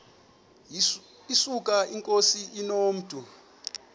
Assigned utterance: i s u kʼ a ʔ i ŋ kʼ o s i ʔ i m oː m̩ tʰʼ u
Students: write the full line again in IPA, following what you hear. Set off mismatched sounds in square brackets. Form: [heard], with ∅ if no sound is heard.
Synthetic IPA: i s u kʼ a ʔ i ŋ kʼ o s i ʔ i [n] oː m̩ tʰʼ u

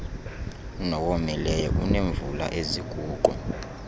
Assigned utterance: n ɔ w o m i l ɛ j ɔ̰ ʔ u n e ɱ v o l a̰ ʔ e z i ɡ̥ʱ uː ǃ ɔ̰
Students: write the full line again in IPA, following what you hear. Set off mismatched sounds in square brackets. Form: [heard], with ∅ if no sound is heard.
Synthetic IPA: n ɔ w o m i l ɛ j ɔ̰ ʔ u n e ɱ v [u] l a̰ ʔ e z i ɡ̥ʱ uː ǃ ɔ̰

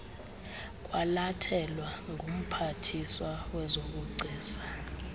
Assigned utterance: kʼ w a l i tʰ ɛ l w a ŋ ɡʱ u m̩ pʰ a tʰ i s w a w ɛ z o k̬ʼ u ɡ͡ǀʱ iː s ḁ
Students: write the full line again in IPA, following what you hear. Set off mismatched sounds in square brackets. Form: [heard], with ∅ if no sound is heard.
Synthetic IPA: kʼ w a l [a] tʰ ɛ l w a ŋ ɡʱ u m̩ pʰ a tʰ i s w a w ɛ z o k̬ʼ u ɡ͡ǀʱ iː s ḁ

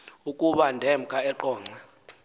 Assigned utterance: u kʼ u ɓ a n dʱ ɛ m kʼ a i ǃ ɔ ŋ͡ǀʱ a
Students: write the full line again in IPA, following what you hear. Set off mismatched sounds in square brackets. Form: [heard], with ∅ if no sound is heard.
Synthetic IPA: u kʼ u ɓ a n dʱ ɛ m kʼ a [ɛ] ǃ [ɔː] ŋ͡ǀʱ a

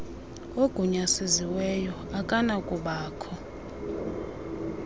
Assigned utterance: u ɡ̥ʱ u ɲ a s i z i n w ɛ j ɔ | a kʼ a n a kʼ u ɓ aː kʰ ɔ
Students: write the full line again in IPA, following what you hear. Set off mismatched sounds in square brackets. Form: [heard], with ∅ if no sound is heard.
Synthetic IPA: [o] ɡ̥ʱ u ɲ a s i z i [∅] w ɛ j ɔ | a kʼ a n a kʼ u ɓ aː kʰ ɔ

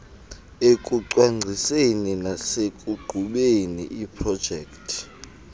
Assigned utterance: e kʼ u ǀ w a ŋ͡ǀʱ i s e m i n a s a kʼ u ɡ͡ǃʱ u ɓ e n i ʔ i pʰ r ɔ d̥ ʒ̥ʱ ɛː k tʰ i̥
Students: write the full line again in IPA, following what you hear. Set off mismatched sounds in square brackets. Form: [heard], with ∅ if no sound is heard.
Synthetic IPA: e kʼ u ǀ w a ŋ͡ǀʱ i s e [n] i n a s [e] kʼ u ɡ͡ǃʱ u ɓ e n i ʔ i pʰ r ɔ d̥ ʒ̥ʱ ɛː k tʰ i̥

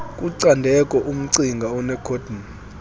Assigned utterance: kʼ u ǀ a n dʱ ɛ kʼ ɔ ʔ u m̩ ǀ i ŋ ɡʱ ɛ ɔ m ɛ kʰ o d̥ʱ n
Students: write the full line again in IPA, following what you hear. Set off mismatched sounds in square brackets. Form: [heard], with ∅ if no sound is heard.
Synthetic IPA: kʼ u ǀ a n dʱ ɛ kʼ ɔ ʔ u m̩ ǀ i ŋ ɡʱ [a] ɔ [n] ɛ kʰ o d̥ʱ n

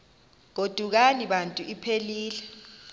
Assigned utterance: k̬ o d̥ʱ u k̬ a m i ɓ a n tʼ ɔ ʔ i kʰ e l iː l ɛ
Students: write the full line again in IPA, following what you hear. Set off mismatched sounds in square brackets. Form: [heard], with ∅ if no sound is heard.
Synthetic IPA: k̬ o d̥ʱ u k̬ a [n] i ɓ a n tʼ [u] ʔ i [pʰ] e l iː l ɛ

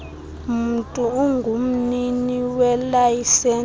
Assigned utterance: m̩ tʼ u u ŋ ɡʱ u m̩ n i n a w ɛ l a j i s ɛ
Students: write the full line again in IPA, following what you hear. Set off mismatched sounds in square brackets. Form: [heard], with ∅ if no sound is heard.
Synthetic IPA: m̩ tʼ u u ŋ ɡʱ u m̩ n i n [i] w ɛ l a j i s ɛ

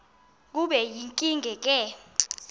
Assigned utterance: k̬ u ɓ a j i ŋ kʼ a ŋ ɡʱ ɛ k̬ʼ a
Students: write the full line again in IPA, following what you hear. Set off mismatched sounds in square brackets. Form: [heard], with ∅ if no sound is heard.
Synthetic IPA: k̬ u ɓ [ɛ] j i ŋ kʼ [i] ŋ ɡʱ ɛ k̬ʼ [ɛ]

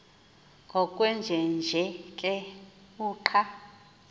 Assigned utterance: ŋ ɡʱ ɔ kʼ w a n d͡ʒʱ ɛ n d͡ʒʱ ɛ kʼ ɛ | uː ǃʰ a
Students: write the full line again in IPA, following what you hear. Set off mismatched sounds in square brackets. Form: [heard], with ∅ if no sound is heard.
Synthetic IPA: ŋ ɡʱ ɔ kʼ w [ɛ] n d͡ʒʱ ɛ n d͡ʒʱ ɛ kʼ ɛ | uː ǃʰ a

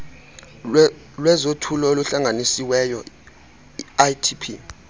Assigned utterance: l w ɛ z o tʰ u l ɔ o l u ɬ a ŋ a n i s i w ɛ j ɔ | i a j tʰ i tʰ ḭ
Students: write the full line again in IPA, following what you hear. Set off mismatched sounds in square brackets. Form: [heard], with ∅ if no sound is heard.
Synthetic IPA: l w ɛ z o tʰ u l ɔ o l u ɬ a ŋ a n i s i w ɛ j ɔ | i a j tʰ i [pʰ] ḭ

